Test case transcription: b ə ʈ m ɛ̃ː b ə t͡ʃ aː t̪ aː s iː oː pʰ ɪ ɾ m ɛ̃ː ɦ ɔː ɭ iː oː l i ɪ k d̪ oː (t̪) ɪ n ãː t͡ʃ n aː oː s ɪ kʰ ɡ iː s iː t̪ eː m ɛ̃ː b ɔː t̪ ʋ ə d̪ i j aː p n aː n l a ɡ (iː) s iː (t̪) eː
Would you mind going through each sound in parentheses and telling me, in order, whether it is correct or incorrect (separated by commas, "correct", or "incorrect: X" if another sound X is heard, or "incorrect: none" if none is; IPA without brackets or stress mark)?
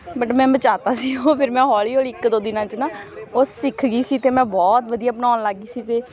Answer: incorrect: d̪, correct, correct